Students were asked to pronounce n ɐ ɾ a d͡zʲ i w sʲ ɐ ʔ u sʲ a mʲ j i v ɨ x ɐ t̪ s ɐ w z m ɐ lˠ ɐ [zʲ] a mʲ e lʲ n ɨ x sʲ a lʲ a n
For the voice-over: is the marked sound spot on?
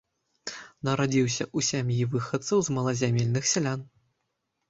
yes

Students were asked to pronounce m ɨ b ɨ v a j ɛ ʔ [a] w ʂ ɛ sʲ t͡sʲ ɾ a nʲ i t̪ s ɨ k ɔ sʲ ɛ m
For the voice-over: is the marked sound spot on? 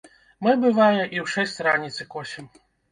no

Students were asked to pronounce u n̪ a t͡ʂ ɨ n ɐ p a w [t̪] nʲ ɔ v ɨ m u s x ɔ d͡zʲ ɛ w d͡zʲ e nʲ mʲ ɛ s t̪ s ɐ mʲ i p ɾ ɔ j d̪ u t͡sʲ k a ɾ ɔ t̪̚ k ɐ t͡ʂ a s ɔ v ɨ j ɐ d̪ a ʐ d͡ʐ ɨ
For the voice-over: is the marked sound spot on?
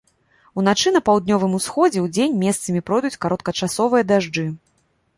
no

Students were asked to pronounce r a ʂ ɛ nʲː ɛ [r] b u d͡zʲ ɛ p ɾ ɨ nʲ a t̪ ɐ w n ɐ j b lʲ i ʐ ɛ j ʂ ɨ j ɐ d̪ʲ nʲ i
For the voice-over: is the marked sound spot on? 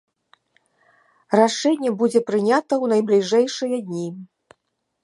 no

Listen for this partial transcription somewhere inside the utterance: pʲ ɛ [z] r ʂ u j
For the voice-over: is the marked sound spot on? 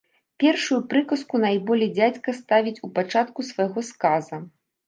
no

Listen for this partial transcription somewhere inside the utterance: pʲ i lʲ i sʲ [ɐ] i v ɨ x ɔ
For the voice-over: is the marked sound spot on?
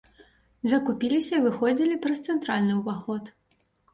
yes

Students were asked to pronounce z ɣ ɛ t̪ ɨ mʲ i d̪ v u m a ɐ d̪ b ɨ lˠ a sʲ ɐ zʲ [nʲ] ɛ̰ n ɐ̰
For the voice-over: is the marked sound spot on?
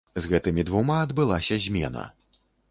no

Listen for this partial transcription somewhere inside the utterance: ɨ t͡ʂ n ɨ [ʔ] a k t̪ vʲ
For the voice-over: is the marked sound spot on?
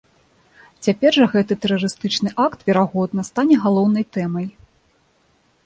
yes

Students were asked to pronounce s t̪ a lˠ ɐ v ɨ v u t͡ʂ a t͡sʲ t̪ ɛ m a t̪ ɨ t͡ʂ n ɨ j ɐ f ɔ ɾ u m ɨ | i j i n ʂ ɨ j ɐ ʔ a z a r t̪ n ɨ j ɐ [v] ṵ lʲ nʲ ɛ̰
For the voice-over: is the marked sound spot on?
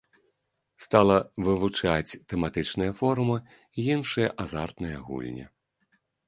no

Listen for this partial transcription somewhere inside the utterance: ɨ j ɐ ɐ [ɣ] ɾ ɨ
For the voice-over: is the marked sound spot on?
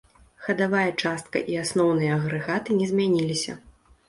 yes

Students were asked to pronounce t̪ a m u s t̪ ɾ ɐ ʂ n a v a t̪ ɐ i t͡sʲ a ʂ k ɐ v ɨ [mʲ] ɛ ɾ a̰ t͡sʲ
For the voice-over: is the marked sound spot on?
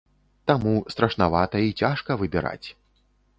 no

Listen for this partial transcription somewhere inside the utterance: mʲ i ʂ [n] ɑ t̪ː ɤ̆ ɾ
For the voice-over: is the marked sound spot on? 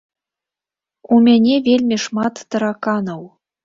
no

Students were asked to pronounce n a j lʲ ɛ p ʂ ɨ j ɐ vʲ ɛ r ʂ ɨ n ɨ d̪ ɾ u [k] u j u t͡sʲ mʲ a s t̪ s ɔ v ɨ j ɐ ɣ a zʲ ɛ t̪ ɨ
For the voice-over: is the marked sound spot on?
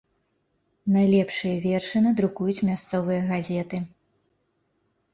yes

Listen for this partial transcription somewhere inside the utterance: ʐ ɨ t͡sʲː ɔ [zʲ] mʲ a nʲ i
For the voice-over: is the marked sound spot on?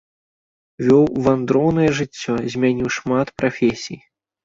yes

